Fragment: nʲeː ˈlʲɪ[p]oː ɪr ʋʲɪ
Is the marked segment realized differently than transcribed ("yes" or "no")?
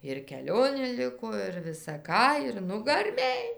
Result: yes